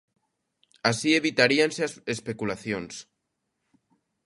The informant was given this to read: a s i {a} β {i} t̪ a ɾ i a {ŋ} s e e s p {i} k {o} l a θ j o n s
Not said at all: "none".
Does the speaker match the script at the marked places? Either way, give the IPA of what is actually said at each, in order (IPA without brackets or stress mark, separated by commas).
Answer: e, i, n, e, u